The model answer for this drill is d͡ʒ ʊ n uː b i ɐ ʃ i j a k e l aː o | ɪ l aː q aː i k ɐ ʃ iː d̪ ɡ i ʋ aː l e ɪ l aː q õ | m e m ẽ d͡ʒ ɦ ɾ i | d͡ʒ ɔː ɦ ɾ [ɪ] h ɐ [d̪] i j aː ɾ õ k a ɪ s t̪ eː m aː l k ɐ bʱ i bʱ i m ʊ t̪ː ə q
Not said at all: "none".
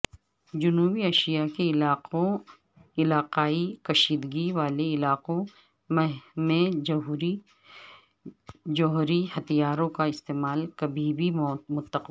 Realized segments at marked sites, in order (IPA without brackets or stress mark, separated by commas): i, t̪